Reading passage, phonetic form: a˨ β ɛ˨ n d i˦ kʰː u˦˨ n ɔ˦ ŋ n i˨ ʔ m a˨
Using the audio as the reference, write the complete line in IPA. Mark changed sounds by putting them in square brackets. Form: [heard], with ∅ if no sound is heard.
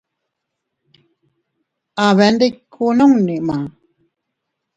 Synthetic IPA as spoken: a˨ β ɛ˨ n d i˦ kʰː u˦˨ n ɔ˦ ŋ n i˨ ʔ m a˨

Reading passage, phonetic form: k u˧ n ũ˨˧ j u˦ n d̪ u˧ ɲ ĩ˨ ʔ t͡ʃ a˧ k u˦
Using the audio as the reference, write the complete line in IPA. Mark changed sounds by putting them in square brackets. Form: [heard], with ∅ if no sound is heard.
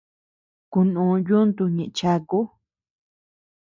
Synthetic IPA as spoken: k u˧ n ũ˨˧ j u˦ n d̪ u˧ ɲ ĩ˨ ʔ t͡ʃ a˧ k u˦

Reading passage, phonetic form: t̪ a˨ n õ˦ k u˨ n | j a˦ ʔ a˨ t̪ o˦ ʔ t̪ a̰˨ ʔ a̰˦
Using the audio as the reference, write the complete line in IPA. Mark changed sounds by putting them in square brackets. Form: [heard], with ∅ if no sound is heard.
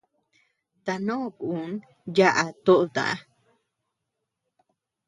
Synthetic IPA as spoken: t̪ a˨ n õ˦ k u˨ n | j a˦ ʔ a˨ t̪ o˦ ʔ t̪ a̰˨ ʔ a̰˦

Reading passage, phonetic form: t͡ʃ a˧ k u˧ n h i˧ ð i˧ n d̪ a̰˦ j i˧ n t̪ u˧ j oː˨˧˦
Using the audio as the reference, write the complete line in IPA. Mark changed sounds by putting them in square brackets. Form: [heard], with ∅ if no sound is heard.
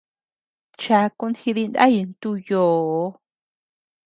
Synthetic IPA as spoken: t͡ʃ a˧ k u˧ n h i˧ ð i˧ n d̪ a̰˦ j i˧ n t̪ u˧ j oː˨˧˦

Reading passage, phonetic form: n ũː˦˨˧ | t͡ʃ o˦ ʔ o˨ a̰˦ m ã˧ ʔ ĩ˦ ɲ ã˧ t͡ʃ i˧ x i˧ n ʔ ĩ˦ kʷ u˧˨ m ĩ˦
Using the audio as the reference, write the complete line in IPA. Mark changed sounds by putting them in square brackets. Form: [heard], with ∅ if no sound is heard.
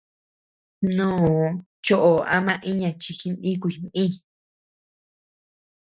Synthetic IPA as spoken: n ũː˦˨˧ | t͡ʃ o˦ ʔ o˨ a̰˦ m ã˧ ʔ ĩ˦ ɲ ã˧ t͡ʃ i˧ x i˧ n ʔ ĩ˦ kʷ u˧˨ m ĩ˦

